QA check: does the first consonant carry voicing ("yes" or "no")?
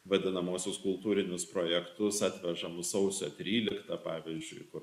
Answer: yes